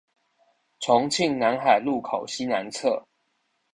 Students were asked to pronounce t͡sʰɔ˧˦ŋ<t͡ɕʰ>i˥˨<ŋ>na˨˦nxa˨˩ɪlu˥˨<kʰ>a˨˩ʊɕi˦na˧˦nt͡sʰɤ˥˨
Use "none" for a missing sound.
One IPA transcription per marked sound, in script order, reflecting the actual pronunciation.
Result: t͡ɕʰ, ŋ, kʰ

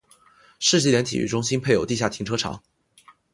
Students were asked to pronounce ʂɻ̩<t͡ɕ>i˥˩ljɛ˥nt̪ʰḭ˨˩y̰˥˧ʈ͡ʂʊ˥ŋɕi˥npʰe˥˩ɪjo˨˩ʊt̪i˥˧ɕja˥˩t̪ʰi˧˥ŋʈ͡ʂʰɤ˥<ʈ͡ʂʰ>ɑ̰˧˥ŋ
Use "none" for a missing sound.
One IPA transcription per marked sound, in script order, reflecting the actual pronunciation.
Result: t͡ɕ, ʈ͡ʂʰ

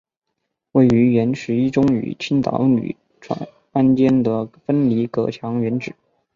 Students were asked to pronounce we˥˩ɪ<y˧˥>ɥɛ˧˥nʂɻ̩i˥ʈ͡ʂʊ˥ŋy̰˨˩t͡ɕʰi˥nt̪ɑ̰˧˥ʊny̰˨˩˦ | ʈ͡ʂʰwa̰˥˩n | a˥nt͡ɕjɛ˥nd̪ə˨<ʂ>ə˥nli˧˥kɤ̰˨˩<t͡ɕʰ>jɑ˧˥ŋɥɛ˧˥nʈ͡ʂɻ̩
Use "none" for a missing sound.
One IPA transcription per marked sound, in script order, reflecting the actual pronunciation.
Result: y˧˥, f, t͡ɕʰ

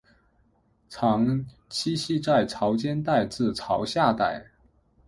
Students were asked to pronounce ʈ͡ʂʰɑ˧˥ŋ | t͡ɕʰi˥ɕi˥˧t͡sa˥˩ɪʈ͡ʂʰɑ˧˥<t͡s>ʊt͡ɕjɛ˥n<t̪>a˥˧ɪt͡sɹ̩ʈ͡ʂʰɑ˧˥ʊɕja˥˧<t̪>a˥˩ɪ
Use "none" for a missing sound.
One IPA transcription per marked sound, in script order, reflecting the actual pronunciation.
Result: none, t̪, t̪

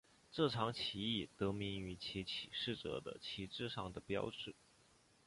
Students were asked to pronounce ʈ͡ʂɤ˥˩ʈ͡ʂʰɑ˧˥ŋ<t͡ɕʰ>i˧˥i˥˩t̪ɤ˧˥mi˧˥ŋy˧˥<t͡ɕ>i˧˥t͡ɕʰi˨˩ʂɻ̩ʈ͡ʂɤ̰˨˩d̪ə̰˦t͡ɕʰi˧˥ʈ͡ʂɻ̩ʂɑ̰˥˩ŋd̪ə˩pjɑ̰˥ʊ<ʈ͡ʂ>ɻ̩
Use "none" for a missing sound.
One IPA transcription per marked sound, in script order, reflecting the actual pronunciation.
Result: t͡ɕʰ, t͡ɕʰ, ʈ͡ʂ

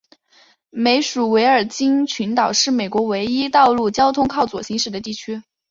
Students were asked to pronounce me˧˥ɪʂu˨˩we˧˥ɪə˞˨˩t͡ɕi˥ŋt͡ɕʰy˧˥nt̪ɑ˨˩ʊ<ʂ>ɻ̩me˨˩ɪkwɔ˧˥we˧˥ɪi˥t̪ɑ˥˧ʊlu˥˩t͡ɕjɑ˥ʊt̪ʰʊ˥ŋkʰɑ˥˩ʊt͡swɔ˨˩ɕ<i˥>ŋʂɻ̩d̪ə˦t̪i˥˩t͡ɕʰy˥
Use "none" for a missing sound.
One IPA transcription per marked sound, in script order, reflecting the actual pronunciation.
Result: ʂ, i˧˥

